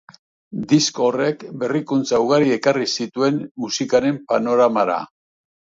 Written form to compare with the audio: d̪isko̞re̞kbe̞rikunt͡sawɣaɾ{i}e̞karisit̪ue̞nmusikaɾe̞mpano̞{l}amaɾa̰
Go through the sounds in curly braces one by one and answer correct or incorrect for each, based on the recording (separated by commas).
correct, incorrect